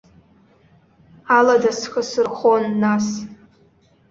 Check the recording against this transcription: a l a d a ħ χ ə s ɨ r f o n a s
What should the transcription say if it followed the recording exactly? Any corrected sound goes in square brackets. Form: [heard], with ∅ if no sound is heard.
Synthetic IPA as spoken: a l a d a [s] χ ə s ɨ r [χ] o [nː] a s